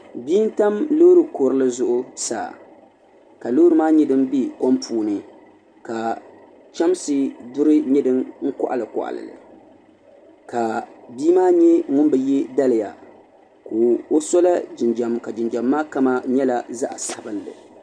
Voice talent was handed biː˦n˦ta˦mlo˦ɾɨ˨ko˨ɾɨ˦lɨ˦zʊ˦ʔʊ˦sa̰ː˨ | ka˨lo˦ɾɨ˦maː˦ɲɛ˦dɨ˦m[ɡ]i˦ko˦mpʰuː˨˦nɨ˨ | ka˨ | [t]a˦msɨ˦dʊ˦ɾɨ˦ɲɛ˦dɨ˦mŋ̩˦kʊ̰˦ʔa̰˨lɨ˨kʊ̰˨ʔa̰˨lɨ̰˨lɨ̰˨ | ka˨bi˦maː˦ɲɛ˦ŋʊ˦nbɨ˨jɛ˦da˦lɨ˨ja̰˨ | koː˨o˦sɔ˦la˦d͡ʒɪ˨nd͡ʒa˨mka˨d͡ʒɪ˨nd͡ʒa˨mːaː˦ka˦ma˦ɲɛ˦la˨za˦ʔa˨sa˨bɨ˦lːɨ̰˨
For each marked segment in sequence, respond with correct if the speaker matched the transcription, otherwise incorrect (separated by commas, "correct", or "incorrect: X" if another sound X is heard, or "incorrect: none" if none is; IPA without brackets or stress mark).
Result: incorrect: b, incorrect: t͡ʃ